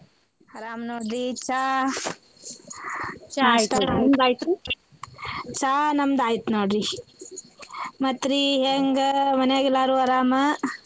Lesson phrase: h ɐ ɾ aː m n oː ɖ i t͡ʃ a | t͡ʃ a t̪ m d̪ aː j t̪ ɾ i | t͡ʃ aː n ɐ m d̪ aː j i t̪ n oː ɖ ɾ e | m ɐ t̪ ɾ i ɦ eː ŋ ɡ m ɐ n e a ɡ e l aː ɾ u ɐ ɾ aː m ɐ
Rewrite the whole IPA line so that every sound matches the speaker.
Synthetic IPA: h ɐ ɾ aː m n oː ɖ i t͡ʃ a | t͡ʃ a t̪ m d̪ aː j t̪ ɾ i | t͡ʃ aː n ɐ m d̪ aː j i t̪ n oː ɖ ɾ i | m ɐ t̪ ɾ i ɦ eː ŋ ɡ m ɐ n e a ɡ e l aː ɾ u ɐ ɾ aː m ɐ